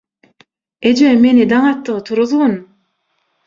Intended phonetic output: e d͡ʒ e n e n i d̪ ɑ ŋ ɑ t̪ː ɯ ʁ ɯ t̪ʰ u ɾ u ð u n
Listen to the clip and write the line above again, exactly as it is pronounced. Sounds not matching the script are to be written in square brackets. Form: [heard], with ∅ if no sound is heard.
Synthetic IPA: e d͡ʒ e [m] e n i d̪ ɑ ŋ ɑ t̪ː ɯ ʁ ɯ t̪ʰ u ɾ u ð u n